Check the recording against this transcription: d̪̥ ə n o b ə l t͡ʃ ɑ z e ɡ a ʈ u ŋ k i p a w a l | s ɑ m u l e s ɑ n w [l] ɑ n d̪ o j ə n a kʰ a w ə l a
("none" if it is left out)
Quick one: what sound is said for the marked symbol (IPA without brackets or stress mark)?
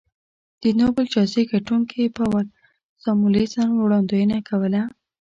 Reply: ɽ